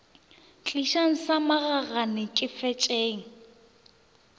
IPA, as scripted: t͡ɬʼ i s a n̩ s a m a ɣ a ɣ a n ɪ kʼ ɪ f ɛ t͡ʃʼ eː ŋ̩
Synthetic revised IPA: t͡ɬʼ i ʃ a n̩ s a m a ɣ a ɣ a n ɪ kʼ ɪ f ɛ t͡ʃʼ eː ŋ̩